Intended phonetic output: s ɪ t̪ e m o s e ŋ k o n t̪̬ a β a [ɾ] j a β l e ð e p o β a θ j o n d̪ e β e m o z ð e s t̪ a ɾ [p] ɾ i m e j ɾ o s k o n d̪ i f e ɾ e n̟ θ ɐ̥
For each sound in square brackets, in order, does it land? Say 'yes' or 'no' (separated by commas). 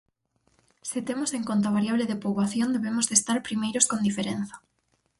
yes, yes